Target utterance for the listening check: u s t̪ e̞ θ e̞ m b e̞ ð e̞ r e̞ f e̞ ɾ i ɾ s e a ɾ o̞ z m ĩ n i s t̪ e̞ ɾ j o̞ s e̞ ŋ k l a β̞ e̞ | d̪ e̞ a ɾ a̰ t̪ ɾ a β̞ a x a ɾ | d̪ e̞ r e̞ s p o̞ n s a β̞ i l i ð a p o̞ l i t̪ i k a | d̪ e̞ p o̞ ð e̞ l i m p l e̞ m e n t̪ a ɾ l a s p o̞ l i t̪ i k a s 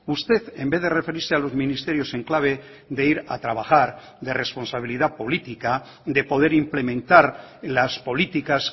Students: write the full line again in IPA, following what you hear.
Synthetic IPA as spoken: u s t̪ e̞ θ e̞ m b e̞ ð e̞ r e̞ f e̞ ɾ i ɾ s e a l o̞ z m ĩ n i s t̪ e̞ ɾ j o̞ s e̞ ŋ k l a β̞ e̞ | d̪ e̞ i ɾ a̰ t̪ ɾ a β̞ a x a ɾ | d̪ e̞ r e̞ s p o̞ n s a β̞ i l i ð a p o̞ l i t̪ i k a | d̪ e̞ p o̞ ð e̞ ɾ i m p l e̞ m ẽ n t̪ a ɾ l a s p o̞ l i t̪ i k a s